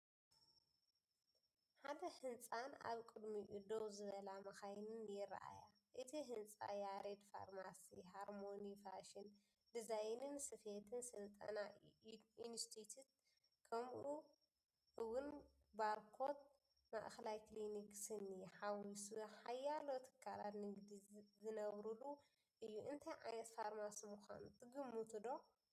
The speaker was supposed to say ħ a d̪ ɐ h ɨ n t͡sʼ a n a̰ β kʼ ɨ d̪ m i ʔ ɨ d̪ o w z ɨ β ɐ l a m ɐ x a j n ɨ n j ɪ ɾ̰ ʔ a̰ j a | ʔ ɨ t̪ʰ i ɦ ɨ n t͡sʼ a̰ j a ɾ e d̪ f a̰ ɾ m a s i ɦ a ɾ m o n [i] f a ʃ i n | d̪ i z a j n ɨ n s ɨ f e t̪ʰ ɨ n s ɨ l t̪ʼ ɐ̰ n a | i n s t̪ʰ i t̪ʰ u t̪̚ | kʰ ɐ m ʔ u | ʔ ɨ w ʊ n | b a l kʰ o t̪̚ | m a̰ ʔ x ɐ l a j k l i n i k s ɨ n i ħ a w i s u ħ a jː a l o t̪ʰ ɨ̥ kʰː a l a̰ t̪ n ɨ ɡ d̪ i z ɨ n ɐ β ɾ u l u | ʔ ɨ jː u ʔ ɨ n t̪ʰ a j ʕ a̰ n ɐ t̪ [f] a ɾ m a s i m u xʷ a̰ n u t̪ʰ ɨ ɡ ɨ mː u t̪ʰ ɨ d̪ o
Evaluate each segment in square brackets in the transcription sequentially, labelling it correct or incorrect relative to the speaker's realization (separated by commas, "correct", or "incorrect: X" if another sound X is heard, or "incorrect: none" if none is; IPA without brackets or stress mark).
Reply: correct, correct